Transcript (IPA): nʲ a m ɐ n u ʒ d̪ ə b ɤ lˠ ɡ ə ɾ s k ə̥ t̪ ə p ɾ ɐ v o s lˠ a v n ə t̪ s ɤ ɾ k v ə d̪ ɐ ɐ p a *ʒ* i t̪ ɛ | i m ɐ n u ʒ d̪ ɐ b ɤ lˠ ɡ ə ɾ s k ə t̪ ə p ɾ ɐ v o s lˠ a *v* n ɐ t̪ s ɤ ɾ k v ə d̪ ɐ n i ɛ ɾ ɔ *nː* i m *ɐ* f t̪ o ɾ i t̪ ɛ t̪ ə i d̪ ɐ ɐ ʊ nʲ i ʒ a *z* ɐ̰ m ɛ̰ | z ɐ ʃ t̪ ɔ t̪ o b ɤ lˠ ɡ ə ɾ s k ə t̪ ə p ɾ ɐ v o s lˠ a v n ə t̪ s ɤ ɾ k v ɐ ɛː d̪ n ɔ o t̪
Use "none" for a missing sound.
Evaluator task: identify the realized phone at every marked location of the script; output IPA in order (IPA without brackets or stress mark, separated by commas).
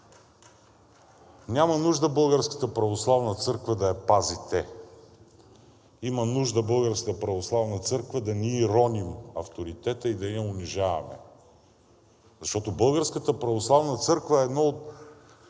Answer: z, v, n, ɐ, v